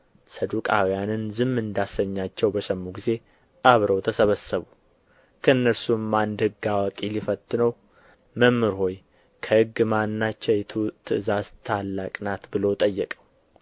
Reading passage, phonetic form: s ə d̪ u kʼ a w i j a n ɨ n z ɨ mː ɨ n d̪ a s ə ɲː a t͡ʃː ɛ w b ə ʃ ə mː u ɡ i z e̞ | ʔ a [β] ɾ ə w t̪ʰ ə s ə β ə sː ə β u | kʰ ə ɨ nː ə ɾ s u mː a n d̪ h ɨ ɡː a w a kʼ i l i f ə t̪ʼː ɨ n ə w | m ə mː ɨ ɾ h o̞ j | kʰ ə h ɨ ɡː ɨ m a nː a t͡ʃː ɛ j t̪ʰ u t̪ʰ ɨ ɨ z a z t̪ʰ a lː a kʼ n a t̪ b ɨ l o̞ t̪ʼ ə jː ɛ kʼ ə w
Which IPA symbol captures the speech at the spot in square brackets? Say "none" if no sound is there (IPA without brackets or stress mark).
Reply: β